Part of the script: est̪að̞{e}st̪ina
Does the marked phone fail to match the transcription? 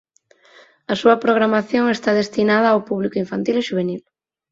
no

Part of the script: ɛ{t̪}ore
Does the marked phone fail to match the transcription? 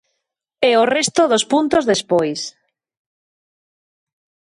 yes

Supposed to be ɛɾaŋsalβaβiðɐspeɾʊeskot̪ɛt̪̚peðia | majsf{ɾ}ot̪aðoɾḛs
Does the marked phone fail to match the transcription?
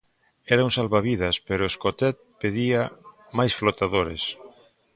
yes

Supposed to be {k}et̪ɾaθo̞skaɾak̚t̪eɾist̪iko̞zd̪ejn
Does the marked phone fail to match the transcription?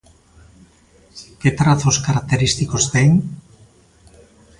no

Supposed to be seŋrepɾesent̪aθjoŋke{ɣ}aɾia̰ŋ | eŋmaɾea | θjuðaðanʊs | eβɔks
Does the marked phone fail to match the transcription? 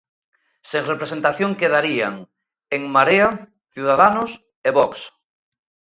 yes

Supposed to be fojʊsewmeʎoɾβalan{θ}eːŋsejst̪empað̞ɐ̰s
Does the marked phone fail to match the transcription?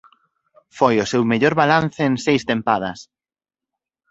no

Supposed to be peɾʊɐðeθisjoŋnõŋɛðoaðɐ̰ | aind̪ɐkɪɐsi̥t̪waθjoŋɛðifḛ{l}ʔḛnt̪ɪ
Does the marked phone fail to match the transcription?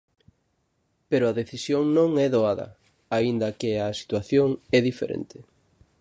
yes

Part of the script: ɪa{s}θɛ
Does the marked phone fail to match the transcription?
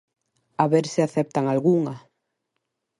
yes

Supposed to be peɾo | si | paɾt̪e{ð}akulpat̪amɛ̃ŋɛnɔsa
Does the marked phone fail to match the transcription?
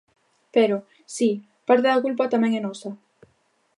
no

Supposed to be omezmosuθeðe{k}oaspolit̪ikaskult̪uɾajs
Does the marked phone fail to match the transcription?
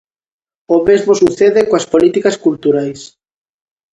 no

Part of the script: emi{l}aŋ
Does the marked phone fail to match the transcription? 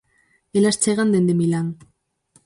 no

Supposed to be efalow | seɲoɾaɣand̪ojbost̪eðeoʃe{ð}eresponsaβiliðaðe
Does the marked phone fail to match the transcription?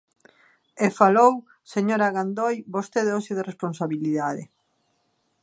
no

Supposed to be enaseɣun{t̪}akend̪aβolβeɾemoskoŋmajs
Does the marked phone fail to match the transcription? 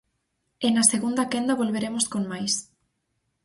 yes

